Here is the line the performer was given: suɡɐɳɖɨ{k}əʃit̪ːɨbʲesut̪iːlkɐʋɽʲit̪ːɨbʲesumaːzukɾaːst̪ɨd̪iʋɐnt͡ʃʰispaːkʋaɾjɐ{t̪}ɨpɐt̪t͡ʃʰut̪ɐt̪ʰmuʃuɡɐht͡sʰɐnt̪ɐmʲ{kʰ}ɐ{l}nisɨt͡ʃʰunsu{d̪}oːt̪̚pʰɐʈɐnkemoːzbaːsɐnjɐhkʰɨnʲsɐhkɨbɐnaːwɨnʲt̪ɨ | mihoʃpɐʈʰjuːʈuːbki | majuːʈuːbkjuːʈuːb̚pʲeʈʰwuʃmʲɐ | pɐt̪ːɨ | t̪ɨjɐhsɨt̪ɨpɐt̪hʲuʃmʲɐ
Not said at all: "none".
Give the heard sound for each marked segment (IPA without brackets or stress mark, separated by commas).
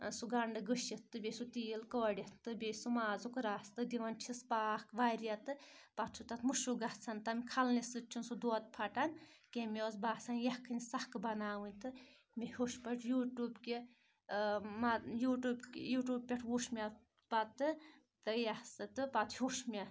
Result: ɡ, t̪, kʰ, l, d̪